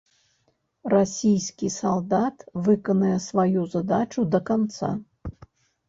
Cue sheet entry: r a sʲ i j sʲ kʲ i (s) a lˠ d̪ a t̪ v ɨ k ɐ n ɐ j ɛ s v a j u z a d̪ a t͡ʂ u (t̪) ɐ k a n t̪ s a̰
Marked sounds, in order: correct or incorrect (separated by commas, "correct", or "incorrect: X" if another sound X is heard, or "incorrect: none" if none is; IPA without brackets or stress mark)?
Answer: correct, incorrect: d̪